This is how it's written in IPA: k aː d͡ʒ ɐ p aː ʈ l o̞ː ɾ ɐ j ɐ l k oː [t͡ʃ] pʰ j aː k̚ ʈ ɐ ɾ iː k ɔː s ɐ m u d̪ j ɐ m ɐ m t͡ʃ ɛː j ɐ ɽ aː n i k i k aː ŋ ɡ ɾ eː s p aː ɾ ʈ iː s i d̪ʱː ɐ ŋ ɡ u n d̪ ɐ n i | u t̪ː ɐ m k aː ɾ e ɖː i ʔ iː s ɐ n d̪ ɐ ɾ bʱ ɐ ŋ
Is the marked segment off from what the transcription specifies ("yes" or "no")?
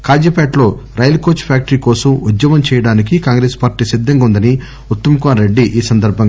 no